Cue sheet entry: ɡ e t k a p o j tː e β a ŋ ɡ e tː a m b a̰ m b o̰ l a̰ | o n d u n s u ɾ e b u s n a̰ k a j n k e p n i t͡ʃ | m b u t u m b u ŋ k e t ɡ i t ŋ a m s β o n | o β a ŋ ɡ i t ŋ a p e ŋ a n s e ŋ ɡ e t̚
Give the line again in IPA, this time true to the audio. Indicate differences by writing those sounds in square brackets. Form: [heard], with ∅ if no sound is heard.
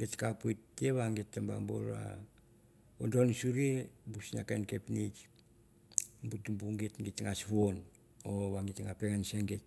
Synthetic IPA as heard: ɡ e t k a p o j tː e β a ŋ ɡ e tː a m b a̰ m b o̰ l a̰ | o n d [o] n s u ɾ e b u s n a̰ k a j n k e p n i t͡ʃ | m b u t u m b u ŋ [ɡ] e t ɡ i t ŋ a [∅] s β o n | o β a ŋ ɡ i t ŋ a p e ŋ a n s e ŋ ɡ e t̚